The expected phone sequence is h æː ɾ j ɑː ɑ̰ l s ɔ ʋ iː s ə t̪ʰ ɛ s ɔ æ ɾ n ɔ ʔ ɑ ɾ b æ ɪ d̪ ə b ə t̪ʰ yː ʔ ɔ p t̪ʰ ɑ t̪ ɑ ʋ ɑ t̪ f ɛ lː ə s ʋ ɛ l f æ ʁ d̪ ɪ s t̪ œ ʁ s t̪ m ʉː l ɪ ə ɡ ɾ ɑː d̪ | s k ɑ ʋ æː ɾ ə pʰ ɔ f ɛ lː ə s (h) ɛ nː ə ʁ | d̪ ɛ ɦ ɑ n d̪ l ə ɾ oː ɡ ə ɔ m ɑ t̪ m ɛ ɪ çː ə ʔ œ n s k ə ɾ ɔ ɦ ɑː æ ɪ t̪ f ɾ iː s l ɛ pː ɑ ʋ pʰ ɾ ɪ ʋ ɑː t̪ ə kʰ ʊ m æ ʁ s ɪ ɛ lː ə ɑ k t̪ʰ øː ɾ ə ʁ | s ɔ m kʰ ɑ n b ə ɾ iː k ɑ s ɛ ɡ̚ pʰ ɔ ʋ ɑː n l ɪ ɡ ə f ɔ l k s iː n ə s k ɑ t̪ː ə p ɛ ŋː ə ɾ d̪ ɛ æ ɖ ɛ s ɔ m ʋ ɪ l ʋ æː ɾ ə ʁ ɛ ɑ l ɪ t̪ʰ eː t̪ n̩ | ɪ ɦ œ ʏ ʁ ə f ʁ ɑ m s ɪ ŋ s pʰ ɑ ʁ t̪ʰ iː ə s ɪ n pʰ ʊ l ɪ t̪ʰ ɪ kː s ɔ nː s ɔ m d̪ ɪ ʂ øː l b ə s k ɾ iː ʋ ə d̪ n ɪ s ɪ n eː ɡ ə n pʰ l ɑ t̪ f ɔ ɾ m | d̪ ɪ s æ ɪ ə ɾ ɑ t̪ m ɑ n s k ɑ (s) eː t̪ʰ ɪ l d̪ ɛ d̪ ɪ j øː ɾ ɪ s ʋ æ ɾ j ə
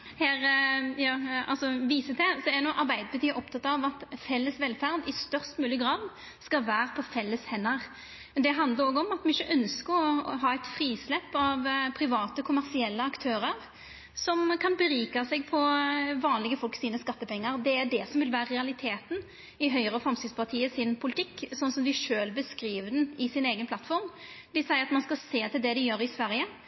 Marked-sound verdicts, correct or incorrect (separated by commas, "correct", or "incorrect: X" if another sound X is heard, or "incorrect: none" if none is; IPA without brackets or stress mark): correct, correct